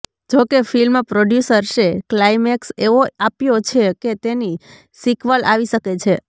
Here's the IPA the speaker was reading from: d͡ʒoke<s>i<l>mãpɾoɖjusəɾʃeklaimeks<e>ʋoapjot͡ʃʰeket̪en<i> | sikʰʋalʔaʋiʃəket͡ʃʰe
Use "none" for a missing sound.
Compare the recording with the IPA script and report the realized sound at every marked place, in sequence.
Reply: f, l, e, i

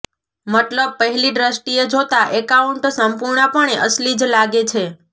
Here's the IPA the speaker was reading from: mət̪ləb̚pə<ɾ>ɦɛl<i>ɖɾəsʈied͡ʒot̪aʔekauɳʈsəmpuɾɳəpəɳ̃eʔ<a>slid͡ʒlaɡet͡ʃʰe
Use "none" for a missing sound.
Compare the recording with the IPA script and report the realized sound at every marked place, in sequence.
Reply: none, i, ə

